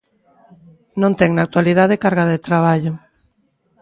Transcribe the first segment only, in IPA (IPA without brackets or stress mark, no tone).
n